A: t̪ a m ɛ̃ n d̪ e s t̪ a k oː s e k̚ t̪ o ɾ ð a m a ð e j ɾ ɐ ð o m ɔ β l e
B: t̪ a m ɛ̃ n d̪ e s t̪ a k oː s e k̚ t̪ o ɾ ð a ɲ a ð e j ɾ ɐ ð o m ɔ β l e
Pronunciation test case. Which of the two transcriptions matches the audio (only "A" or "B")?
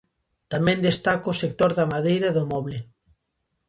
A